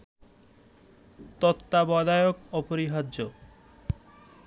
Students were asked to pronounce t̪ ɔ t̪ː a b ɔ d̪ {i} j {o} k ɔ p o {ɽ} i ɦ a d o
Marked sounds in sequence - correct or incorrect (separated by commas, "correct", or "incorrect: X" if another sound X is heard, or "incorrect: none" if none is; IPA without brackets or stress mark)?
incorrect: a, correct, incorrect: ɾ